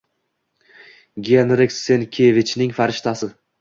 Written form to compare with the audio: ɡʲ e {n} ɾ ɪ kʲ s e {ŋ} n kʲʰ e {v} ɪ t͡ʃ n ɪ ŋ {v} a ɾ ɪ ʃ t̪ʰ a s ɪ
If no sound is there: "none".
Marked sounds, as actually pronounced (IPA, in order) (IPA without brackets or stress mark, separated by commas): n, none, v, f